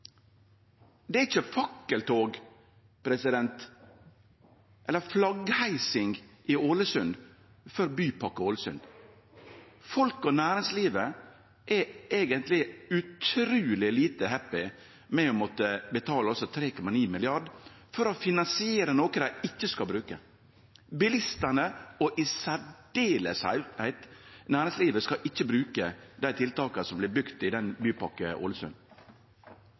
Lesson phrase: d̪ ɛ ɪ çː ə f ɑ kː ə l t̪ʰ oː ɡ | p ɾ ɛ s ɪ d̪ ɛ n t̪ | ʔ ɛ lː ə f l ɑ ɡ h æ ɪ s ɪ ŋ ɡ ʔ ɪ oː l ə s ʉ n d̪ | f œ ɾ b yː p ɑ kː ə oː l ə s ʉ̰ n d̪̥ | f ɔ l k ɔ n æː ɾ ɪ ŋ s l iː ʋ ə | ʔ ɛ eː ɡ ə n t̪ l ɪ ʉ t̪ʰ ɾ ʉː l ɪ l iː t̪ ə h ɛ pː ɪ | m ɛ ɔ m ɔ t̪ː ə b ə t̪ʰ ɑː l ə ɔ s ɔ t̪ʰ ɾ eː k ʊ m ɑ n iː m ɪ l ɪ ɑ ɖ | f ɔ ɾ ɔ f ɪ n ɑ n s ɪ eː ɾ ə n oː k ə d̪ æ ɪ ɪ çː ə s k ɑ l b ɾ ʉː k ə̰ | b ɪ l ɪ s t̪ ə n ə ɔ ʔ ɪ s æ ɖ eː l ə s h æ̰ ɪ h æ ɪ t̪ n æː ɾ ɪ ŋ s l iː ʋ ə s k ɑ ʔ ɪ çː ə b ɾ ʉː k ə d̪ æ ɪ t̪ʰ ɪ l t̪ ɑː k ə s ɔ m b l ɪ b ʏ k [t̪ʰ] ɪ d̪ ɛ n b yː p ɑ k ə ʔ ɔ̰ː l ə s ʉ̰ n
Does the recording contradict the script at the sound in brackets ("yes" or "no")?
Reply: yes